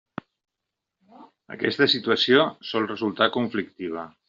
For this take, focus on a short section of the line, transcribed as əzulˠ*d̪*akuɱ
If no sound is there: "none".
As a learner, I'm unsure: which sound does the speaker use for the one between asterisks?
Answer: t̪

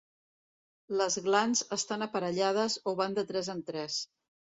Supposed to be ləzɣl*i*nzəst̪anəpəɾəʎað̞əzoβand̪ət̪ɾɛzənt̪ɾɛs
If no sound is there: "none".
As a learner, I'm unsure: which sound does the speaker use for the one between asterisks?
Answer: a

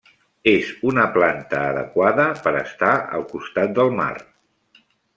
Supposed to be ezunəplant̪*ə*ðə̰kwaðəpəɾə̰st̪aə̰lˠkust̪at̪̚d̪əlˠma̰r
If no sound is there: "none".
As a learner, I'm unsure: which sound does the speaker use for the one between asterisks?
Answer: əː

